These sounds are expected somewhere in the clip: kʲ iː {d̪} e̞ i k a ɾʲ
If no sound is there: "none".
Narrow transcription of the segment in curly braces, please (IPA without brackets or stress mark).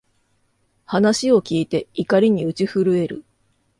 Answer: t̪